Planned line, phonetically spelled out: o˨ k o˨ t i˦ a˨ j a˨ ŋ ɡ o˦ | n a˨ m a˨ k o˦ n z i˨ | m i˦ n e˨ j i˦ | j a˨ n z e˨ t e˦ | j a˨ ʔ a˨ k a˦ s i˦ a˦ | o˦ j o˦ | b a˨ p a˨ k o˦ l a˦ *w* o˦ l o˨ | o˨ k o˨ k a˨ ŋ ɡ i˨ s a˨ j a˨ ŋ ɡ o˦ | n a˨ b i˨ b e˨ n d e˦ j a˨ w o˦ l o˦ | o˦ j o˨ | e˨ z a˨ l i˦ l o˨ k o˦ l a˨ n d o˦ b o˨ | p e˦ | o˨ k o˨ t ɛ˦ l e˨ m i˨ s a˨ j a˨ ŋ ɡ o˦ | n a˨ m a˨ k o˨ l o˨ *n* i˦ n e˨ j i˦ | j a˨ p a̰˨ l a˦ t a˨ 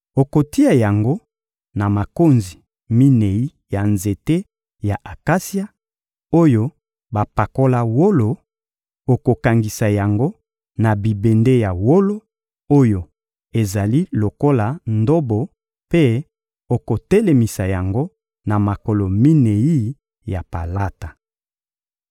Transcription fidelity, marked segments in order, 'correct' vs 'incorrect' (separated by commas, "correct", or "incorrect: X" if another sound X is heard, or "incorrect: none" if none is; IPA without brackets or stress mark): correct, incorrect: m